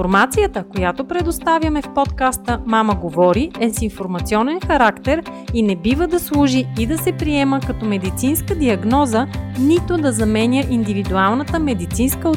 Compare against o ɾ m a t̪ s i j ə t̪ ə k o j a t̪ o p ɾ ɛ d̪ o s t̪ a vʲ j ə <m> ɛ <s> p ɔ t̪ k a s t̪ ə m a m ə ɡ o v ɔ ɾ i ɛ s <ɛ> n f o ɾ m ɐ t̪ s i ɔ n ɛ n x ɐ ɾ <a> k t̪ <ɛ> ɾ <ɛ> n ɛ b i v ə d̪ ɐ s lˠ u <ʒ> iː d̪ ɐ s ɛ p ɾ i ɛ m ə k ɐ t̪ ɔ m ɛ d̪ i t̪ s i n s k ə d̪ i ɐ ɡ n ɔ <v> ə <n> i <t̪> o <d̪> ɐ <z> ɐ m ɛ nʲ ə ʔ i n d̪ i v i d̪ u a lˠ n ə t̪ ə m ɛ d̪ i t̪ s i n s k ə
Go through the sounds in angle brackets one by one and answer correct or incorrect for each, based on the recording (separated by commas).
correct, incorrect, incorrect, correct, correct, incorrect, correct, incorrect, correct, correct, correct, correct